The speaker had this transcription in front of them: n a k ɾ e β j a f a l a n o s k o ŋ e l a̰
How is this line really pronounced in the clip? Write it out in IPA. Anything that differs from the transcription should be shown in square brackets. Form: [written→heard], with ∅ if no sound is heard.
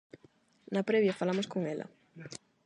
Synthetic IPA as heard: n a [k→p] ɾ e β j a f a l a [n→m] o s k o ŋ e l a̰